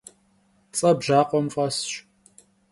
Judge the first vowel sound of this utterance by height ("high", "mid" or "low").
low